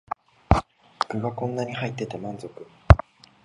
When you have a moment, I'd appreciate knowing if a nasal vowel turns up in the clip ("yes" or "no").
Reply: yes